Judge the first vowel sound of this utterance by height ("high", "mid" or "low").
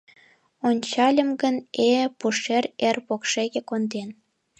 mid